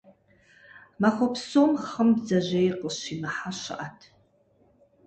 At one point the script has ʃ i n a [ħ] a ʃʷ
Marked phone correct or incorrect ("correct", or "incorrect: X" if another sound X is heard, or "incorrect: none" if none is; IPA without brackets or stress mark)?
correct